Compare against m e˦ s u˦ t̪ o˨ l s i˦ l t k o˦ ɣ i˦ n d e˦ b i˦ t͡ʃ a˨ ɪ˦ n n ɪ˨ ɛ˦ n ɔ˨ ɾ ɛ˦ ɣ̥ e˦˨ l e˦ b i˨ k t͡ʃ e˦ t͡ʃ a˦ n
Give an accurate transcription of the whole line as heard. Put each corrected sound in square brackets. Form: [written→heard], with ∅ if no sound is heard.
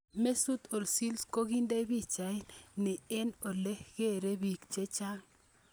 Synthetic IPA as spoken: m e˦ s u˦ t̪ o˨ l s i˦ l [t→s] k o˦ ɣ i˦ n d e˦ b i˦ t͡ʃ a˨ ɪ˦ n n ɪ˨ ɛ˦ n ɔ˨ [ɾ→l] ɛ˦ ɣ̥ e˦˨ [l→ɾ] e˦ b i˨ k t͡ʃ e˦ t͡ʃ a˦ [n→ŋ]

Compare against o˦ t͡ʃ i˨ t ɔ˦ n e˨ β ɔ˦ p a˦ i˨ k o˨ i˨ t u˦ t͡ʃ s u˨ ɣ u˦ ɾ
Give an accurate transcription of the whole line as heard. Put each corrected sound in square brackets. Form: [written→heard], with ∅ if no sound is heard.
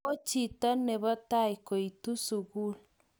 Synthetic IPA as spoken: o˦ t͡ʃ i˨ t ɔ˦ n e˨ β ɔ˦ [p→t] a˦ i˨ k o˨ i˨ t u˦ [t͡ʃ→∅] s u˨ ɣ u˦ [ɾ→l]

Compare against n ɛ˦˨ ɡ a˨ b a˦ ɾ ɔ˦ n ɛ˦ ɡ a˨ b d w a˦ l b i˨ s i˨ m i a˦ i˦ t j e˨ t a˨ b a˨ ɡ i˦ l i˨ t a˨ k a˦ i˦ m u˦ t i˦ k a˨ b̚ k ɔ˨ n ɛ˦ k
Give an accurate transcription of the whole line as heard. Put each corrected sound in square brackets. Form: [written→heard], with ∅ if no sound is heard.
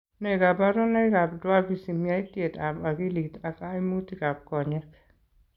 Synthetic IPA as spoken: n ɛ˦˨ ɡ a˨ b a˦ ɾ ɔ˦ n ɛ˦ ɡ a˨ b d w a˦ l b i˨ s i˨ m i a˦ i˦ t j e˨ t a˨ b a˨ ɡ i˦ l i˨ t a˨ k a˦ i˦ m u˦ t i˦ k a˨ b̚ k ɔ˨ [n→ɲ] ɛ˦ k

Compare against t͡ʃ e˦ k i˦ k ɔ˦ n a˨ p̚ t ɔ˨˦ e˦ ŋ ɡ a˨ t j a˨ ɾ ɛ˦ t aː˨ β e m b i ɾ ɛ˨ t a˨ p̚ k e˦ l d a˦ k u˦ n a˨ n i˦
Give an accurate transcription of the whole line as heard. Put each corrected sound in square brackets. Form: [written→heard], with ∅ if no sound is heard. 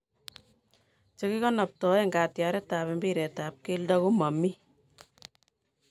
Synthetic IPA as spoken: t͡ʃ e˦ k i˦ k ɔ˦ n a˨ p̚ t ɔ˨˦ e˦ ŋ ɡ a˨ t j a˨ ɾ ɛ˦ t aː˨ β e m b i ɾ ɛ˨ t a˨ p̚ k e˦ l d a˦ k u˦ [n→m] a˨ [n→m] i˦

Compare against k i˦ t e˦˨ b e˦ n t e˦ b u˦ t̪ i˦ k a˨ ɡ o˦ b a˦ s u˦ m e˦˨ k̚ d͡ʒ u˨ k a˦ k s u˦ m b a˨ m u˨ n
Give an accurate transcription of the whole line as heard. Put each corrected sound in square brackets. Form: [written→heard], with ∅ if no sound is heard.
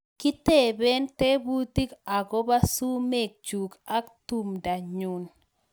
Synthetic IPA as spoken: k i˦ t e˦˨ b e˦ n t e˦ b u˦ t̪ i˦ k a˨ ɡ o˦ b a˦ s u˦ m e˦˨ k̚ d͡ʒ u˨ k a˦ k [s→t] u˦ m [b→d] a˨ [m→ɲ] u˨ n

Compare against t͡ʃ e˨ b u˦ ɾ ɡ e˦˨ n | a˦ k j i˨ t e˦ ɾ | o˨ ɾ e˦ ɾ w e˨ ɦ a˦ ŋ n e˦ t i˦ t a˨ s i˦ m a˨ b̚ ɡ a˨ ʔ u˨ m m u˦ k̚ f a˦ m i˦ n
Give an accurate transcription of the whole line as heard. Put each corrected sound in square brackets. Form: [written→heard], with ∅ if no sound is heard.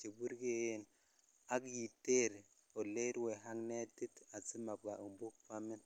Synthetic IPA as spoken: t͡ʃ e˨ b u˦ ɾ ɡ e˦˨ n | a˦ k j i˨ t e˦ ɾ | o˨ [ɾ→l] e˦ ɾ w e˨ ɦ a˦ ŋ n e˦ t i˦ t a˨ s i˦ m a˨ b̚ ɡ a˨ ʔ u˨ m [m→b] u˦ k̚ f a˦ m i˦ n

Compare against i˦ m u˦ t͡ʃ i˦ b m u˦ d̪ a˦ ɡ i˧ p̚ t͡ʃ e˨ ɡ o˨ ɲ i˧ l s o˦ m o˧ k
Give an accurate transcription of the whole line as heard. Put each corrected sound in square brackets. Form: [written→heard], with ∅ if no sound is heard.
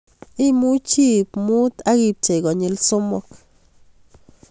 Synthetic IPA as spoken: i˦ m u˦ t͡ʃ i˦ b m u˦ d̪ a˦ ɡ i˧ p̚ t͡ʃ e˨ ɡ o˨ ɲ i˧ l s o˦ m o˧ k

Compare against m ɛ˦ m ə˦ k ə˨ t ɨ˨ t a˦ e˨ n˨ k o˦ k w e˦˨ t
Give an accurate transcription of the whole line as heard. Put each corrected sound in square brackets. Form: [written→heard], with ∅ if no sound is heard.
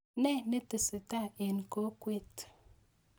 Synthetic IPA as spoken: [m→n] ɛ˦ [m→n] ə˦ [k→t] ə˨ [t→s] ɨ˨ t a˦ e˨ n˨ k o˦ k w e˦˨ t

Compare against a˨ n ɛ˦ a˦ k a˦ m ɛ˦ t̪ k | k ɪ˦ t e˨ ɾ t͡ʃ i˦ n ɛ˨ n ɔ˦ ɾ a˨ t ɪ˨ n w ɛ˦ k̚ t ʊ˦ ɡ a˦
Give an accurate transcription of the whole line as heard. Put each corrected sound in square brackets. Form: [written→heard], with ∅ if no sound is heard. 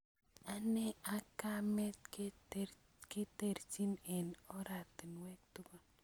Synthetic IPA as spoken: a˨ n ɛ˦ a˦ k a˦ m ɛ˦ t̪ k | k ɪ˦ t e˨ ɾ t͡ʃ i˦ n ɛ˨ n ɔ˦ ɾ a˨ t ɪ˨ n w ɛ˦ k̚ t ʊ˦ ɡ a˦

